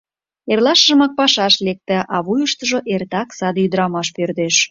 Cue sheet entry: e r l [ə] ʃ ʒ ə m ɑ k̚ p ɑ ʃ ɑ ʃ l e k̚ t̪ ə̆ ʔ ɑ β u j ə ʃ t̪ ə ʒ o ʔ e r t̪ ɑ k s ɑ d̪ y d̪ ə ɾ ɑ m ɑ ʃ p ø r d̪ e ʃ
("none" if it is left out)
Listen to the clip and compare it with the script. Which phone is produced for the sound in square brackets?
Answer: ɑ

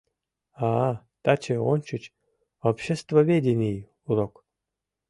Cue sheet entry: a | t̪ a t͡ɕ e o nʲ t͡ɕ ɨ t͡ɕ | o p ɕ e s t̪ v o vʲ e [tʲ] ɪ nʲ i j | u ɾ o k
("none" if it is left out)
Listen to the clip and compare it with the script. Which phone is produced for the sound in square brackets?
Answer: dʲ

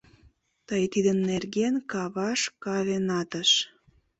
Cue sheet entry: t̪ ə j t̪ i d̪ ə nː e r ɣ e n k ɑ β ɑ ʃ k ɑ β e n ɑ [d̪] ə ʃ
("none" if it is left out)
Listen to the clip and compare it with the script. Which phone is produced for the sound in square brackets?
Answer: t̪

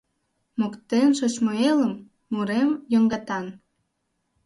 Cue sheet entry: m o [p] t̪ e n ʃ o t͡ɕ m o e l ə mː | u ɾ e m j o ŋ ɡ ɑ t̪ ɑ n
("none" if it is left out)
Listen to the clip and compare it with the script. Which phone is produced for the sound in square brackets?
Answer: k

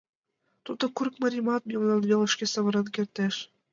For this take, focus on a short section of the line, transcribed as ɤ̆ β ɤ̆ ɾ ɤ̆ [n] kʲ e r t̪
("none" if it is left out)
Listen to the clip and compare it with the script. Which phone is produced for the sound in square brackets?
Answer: n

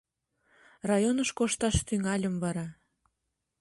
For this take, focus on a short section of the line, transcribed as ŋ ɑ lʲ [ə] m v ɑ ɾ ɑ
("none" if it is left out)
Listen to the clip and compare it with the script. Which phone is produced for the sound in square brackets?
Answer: ə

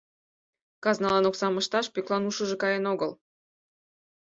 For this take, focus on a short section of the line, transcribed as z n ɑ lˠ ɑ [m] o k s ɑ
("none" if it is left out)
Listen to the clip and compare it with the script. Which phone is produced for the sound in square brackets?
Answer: n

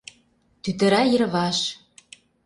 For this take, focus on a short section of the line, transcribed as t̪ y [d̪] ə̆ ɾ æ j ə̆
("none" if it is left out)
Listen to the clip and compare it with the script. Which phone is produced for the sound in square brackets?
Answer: t̪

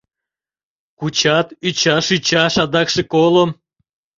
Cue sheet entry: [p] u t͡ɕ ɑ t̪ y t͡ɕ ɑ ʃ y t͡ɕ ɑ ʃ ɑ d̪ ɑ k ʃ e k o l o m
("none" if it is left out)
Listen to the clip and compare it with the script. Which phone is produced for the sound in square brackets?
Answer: k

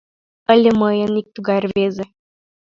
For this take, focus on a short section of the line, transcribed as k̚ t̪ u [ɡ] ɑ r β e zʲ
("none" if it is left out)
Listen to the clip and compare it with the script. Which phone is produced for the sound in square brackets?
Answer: ɡ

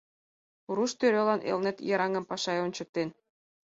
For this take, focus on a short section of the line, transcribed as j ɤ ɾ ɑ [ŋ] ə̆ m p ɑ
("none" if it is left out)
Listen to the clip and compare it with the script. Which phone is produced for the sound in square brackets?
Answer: ŋ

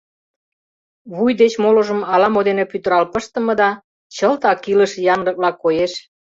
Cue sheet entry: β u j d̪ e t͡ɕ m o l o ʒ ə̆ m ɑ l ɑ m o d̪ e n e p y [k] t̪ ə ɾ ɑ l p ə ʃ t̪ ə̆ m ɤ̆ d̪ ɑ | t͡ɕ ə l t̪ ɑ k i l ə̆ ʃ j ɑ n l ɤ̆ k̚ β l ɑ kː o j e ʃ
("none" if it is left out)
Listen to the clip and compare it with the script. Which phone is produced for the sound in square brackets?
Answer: none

